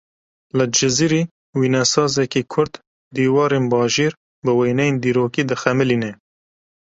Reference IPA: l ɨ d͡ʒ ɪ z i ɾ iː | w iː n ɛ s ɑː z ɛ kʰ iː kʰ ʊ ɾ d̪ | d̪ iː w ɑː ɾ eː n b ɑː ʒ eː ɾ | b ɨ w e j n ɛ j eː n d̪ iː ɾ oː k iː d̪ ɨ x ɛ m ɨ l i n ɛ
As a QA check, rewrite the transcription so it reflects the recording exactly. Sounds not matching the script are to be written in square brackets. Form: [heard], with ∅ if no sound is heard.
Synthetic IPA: l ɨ d͡ʒ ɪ z i ɾ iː | w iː n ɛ s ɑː z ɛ [k] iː kʰ ʊ ɾ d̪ | d̪ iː w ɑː ɾ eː n b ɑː ʒ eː ɾ | b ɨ w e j n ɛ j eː n d̪ iː ɾ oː k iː d̪ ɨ x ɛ m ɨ l i n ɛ